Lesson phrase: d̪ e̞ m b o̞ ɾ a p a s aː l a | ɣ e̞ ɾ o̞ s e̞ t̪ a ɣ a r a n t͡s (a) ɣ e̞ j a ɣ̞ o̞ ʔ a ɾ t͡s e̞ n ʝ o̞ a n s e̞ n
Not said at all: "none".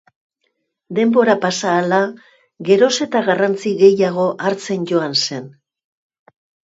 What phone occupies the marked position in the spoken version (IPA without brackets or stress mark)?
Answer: i